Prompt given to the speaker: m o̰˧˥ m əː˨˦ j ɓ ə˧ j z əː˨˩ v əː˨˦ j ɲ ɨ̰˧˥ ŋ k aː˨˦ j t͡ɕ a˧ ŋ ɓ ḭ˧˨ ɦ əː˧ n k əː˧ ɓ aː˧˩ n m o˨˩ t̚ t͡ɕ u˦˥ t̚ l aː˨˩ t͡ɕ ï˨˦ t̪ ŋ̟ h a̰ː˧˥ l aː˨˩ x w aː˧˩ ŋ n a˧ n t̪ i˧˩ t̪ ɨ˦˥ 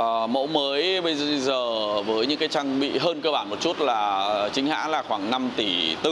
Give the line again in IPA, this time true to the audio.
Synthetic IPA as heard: m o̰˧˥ m əː˨˦ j ɓ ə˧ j z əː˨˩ v əː˨˦ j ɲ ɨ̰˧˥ ŋ k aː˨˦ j t͡ɕ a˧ ŋ ɓ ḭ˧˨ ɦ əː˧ n k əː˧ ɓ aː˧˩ n m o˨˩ t̚ t͡ɕ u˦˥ t̚ l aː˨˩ t͡ɕ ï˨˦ ŋ̟ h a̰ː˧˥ l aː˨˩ x w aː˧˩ ŋ n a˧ m t̪ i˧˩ t̪ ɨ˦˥

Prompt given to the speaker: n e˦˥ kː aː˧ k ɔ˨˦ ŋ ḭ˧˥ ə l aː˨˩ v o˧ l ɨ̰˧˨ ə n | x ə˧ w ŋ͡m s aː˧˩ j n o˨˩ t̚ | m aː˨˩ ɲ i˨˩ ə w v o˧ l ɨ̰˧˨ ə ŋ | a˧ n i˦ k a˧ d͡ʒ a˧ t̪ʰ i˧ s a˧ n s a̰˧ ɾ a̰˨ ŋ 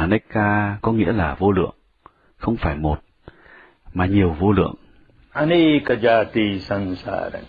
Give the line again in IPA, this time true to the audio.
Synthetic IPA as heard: n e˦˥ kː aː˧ k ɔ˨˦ ŋ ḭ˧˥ ə l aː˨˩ v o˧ l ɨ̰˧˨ ə ŋ | x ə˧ w ŋ͡m f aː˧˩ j m o˨˩ t̚ | m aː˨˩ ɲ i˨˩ ə w v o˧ l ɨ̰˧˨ ə ŋ | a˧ n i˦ k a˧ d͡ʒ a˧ t̪ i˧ s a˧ n s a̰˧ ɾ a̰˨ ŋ

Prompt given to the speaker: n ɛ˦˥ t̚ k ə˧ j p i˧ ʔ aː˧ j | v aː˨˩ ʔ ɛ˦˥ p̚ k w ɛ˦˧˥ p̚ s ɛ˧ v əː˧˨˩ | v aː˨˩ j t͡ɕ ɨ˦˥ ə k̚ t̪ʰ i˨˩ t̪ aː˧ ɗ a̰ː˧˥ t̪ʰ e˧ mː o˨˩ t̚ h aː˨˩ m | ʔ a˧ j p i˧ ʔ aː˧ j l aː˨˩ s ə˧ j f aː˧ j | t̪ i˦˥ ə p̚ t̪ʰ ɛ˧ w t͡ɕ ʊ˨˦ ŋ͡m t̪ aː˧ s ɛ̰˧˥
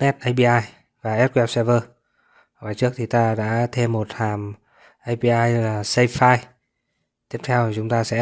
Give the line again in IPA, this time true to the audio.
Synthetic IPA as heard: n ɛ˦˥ t̚ ʔ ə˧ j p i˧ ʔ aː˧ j | v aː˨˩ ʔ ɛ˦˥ t̚ k w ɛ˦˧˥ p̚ s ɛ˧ v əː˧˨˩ | v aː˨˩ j t͡ɕ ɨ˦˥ ə k̚ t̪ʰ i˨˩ t̪ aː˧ ɗ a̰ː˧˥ t̪ʰ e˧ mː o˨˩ t̚ h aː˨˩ m | ʔ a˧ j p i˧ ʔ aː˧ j l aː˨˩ s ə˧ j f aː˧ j | t̪ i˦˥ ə p̚ t̪ʰ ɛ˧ w t͡ɕ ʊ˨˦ ŋ͡m t̪ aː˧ s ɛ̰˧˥

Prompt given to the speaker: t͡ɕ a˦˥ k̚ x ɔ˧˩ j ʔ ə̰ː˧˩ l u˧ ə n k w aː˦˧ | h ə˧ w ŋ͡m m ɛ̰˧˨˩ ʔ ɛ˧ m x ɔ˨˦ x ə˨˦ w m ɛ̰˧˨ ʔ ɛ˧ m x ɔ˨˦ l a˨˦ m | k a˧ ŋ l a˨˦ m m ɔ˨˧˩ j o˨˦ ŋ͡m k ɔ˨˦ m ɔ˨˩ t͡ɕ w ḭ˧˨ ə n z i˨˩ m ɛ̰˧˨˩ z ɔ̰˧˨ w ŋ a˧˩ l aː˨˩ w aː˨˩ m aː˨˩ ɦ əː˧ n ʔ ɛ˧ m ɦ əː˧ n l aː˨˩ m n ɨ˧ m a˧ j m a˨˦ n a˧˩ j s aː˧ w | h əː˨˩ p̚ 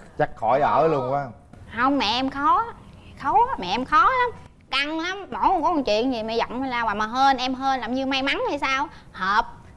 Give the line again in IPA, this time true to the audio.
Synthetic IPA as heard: t͡ɕ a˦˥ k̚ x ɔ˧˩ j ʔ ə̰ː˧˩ l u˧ ə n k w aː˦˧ | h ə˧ w ŋ͡m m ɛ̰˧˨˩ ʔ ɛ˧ m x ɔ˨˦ x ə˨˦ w m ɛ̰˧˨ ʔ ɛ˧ m x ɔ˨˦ l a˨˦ m | k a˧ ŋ l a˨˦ m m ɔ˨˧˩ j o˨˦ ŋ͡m k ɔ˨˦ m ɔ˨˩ t͡ɕ w ḭ˧˨ ə n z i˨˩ m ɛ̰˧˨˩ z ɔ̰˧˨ w ŋ͡m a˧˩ l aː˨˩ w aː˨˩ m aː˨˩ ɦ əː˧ n ʔ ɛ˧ m ɦ əː˧ n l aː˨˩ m ɲ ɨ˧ m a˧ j m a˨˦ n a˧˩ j s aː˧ w | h əː˨˩ p̚

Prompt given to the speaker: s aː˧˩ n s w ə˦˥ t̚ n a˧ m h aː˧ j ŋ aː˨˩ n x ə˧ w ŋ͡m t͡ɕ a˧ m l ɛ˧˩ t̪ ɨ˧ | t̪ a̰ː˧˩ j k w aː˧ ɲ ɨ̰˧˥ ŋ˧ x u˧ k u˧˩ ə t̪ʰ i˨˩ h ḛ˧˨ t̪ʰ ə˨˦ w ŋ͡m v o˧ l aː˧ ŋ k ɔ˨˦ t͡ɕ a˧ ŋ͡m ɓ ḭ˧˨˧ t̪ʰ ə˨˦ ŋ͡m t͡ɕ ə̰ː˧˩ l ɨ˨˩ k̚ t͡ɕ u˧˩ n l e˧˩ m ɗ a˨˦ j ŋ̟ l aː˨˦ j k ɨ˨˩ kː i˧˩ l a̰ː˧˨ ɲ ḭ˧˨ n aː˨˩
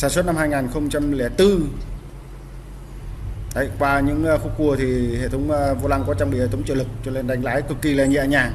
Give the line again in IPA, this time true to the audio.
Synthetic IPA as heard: s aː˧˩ n s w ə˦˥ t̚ n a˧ m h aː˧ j ŋ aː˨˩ n x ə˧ w ŋ͡m t͡ɕ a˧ m l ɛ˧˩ t̪ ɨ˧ | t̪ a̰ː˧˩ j k w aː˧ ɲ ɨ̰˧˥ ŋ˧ x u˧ k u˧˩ ə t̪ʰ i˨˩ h ḛ˧˨ t̪ʰ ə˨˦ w ŋ͡m v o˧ l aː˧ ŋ k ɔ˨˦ t͡ɕ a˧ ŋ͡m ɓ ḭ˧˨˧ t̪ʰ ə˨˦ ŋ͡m t͡ɕ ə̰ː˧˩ l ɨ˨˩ k̚ t͡ɕ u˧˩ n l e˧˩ n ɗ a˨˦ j ŋ̟ l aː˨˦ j k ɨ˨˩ kː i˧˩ l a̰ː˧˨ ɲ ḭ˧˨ ɲ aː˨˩

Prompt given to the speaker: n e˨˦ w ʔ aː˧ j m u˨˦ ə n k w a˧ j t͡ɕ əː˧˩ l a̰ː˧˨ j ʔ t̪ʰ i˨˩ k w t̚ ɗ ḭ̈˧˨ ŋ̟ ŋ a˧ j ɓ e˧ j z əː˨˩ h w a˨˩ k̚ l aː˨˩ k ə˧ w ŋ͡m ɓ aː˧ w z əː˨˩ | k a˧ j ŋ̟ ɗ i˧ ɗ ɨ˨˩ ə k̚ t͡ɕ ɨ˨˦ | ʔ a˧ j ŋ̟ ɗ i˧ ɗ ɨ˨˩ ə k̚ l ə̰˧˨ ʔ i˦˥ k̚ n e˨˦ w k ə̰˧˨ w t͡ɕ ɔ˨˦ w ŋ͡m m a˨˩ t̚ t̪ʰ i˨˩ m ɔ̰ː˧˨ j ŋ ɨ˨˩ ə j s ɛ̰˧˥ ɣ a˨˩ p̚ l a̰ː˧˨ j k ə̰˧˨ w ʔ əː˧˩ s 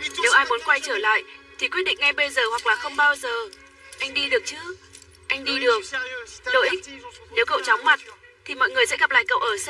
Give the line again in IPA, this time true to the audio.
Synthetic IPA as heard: n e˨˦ w ʔ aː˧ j m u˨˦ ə n k w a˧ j t͡ɕ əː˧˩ l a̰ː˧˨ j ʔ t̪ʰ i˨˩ k w t̚ ɗ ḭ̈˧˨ ŋ̟ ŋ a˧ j ɓ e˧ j z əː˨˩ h w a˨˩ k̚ l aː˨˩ x ə˧ w ŋ͡m ɓ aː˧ w z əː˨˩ | ʔ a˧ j ŋ̟ ɗ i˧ ɗ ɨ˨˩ ə k̚ t͡ɕ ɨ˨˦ | ʔ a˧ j ŋ̟ ɗ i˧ ɗ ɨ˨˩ ə k̚ l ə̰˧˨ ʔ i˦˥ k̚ n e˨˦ w k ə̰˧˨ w t͡ɕ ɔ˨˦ w ŋ͡m m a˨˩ t̚ t̪ʰ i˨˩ m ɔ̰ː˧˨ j ŋ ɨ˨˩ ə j s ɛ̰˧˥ ɣ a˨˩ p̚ l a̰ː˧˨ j k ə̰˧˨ w ʔ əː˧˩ s

